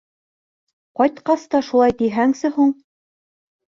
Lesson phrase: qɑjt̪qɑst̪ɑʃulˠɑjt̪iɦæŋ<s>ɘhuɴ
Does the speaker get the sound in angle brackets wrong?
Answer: no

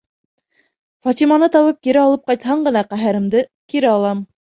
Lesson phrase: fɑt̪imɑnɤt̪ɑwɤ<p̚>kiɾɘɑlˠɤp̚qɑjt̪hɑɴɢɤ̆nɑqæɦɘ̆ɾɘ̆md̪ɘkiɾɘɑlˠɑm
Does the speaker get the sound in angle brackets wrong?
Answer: no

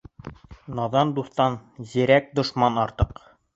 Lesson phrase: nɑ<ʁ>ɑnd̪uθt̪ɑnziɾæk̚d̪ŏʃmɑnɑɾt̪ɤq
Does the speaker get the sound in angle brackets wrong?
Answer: yes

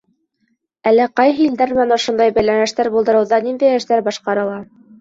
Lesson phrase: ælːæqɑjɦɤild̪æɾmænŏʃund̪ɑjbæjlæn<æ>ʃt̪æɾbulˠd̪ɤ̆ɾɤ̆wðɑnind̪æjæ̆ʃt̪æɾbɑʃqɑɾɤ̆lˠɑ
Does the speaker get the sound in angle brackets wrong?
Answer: no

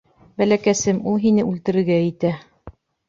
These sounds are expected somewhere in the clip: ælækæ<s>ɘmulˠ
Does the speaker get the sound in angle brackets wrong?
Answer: no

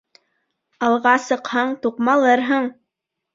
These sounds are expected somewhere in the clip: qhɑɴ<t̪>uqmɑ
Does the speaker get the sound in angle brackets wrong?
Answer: no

